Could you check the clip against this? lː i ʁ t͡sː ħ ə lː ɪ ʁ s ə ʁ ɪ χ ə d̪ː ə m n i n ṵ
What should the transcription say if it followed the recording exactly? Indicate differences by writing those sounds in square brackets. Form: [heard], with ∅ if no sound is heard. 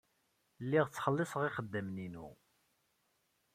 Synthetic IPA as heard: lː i ʁ t͡sː [χ] ə lː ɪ [∅] s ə ʁ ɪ χ ə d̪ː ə m n i n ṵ